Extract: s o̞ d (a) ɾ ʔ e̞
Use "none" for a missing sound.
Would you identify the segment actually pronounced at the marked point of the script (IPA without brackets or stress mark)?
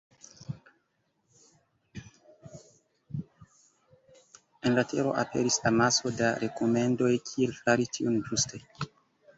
a